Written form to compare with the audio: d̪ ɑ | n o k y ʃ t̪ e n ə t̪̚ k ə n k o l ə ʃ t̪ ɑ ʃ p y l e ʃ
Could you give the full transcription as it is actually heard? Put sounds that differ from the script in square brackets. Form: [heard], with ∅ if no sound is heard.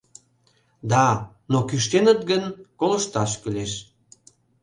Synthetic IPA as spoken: d̪ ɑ | n o k y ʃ t̪ e n ə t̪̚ [ɡ] ə n k o l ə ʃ t̪ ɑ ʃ [k] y l e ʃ